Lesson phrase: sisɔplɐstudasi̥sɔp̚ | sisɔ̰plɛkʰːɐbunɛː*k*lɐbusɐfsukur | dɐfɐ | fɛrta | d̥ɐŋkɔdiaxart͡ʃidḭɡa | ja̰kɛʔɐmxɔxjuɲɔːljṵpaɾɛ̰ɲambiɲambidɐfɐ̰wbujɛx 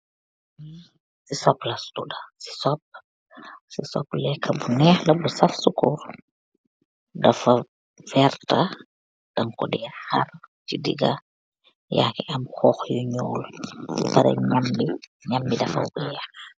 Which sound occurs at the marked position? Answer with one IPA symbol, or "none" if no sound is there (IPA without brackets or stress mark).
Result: x